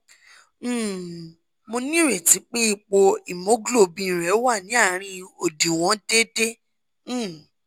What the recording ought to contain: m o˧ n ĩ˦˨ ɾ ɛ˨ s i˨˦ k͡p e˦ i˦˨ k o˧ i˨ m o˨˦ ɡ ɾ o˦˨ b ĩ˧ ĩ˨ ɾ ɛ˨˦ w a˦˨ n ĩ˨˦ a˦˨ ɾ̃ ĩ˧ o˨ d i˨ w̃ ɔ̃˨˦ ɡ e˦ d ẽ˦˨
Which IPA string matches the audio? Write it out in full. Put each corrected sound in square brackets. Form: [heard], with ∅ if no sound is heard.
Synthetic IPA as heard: m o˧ n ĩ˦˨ ɾ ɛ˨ [t] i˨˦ k͡p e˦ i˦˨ [k͡p] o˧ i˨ m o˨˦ ɡ [l] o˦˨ b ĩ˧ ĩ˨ ɾ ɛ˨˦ w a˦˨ n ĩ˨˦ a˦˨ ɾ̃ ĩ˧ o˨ d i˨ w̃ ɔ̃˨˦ [d] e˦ d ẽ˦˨